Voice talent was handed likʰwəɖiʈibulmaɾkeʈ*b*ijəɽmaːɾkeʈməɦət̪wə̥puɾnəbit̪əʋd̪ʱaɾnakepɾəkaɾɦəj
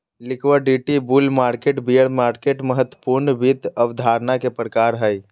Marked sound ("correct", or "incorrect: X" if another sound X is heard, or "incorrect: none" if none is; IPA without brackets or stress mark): correct